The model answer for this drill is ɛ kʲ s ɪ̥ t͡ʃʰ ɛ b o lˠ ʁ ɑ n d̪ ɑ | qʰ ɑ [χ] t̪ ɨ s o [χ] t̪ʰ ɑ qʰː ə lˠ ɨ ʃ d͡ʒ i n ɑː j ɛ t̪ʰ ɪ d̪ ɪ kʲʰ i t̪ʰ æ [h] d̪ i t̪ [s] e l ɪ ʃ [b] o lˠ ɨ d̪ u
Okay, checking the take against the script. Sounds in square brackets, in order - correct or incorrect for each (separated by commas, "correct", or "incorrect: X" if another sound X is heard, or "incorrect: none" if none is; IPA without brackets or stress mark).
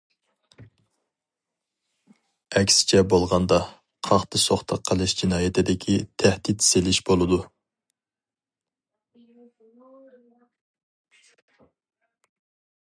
correct, correct, correct, correct, correct